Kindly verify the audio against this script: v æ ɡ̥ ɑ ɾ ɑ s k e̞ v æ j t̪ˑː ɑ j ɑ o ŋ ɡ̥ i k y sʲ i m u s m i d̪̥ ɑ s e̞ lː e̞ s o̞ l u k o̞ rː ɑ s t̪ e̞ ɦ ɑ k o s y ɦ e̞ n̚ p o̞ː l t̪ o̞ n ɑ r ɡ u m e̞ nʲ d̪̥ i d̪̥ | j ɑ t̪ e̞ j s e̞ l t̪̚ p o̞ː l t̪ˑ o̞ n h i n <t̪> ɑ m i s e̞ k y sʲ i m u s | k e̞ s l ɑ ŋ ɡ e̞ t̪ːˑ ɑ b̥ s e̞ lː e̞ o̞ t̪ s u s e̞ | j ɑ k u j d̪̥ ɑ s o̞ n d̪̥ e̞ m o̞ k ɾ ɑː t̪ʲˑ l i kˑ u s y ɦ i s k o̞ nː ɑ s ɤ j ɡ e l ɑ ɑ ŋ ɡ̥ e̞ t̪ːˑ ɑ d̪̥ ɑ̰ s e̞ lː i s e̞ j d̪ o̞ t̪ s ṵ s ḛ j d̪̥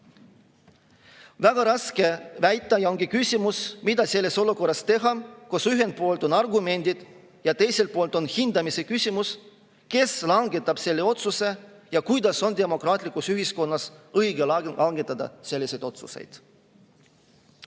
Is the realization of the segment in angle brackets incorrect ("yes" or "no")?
yes